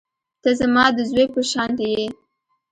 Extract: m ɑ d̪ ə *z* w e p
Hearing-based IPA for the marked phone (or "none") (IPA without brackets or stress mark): z